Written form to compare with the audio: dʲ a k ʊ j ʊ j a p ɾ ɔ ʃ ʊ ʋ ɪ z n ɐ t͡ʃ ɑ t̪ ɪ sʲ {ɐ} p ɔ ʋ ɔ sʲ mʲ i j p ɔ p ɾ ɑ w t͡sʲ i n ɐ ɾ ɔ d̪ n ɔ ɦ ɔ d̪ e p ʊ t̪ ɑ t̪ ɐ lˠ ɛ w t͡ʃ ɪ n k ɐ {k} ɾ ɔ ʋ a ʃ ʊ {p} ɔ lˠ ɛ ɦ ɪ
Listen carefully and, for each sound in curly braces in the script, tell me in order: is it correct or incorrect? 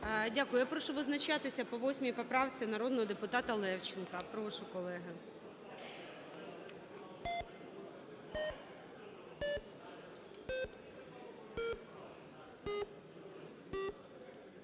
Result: correct, incorrect: p, incorrect: k

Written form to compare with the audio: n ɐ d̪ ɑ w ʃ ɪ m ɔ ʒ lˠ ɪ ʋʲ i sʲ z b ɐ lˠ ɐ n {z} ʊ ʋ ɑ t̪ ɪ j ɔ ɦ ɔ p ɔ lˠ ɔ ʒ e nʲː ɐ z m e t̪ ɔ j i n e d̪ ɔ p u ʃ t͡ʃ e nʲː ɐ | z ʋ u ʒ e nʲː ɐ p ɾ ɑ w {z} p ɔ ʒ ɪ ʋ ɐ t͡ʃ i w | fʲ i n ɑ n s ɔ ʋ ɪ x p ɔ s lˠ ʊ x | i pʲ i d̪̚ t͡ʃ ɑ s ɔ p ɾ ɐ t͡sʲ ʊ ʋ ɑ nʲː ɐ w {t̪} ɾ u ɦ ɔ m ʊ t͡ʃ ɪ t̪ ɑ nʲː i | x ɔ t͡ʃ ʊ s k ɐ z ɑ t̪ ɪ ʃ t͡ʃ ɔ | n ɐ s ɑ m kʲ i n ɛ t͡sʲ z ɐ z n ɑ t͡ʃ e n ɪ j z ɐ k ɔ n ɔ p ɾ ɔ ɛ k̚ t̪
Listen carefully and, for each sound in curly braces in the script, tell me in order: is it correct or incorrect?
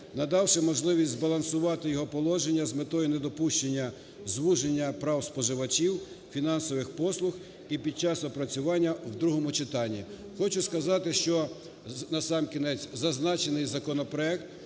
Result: incorrect: s, incorrect: s, incorrect: d̪

